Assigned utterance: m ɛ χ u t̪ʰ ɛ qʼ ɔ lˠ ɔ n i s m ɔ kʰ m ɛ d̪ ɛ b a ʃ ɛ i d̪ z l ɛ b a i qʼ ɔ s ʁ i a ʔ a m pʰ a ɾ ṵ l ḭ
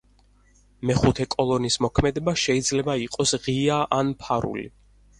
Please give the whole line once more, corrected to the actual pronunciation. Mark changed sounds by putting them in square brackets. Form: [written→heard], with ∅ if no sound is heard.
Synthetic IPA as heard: m ɛ χ u t̪ʰ ɛ [qʼ→kʼ] ɔ lˠ ɔ n i s m ɔ kʰ m ɛ d̪ ɛ b a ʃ ɛ i d̪ z l ɛ b a i qʼ ɔ s ʁ i a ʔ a [m→n] pʰ a ɾ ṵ l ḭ